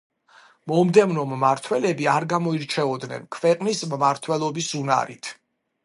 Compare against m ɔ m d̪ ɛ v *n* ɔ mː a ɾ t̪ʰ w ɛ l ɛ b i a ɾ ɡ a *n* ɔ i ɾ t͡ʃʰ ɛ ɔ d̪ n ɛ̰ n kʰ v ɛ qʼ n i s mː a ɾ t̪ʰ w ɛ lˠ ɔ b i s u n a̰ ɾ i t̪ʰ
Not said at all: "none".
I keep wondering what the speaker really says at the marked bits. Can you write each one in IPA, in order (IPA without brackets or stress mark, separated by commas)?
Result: n, m